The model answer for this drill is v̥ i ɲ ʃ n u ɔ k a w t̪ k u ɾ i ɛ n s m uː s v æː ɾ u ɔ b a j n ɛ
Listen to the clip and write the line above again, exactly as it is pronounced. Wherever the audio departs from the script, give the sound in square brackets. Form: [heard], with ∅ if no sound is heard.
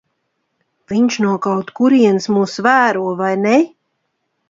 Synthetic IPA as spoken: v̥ i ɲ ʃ n u ɔ k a w t̪ k u ɾ i ɛ n s m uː s v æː ɾ u ɔ [v] a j n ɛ